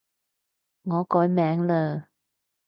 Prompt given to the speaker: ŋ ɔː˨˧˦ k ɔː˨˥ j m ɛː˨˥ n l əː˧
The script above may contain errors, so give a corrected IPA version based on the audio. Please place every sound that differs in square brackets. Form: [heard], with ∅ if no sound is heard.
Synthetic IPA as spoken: ŋ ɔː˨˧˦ k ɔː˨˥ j m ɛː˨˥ [ŋ] l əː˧